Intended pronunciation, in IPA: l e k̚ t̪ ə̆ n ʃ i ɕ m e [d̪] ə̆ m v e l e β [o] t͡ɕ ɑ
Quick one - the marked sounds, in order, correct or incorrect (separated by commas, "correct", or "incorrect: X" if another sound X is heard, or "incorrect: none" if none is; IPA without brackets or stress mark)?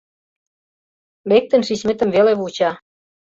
incorrect: t̪, incorrect: u